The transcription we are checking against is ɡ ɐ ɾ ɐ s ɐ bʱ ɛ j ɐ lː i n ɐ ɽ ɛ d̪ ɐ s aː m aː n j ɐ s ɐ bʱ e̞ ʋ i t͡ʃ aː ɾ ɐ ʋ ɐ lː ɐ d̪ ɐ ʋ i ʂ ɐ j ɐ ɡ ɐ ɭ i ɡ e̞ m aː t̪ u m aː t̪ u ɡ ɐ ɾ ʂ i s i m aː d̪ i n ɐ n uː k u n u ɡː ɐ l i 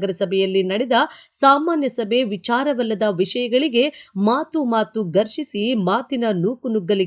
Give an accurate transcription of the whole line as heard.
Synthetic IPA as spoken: ɡ ɐ ɾ ɐ s ɐ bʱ ɛ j ɐ lː i n ɐ ɽ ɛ d̪ ɐ s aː m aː n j ɐ s ɐ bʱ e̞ ʋ i t͡ʃ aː ɾ ɐ ʋ ɐ lː ɐ d̪ ɐ ʋ i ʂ ɐ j ɐ ɡ ɐ ɭ i ɡ e̞ m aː t̪ u m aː t̪ u ɡ ɐ ɾ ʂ i s i m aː t̪ i n ɐ n uː k u n u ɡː ɐ l i